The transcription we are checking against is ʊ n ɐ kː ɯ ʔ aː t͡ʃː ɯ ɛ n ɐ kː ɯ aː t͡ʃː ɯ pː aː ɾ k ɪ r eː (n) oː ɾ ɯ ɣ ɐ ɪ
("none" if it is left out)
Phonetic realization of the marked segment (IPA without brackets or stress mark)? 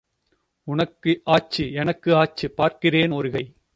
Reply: n